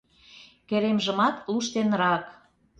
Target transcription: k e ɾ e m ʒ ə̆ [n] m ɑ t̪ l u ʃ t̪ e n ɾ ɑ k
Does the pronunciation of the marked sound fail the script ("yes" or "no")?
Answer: yes